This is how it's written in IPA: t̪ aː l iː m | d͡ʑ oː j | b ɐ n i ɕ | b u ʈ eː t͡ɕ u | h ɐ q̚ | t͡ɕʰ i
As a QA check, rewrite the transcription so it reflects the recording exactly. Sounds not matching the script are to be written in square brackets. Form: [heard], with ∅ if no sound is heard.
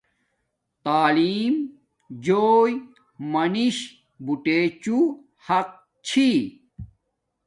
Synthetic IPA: t̪ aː l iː m | d͡ʑ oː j | [m] ɐ n i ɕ | b u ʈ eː t͡ɕ u | h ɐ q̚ | t͡ɕʰ i